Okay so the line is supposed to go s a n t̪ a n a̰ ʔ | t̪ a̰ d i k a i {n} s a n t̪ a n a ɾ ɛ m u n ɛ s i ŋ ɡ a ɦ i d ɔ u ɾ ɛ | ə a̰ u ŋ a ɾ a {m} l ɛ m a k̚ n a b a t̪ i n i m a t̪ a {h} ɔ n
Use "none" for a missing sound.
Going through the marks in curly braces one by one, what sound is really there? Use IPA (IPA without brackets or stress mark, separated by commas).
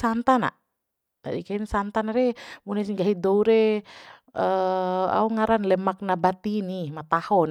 n, n, h